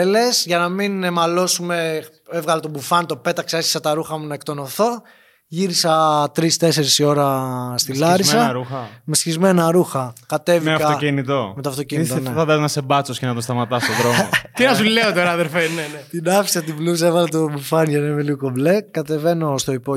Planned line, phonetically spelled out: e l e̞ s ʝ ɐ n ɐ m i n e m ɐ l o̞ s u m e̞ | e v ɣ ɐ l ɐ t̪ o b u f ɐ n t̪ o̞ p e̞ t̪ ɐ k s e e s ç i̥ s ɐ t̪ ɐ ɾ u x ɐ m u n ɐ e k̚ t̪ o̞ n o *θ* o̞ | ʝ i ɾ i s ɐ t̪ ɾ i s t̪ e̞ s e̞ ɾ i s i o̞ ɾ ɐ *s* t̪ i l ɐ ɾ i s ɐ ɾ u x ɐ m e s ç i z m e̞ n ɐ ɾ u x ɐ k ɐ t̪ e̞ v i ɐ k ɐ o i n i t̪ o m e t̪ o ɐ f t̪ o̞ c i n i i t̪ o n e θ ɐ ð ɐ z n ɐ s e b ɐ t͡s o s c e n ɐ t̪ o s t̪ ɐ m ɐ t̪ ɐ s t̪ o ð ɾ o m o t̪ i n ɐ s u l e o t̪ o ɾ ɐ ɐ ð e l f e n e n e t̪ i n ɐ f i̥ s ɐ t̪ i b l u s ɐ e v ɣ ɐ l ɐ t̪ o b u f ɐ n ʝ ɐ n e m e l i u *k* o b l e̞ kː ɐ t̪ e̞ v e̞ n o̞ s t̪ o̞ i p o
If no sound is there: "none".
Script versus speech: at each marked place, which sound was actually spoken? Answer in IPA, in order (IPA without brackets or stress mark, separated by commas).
θ, s, k